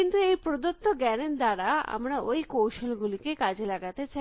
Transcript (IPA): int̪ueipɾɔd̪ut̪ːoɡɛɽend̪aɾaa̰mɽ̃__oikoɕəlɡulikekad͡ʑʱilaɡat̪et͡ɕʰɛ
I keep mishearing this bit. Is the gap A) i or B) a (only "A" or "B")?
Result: B